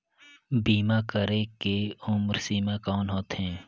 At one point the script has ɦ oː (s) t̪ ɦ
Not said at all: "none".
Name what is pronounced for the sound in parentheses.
none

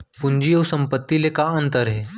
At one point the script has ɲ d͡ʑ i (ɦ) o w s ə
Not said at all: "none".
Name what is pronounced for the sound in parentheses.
none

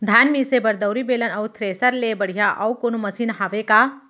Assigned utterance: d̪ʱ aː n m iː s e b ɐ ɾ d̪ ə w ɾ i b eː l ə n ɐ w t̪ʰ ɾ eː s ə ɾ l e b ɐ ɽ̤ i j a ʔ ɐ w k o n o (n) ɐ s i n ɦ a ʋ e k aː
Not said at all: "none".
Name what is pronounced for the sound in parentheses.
m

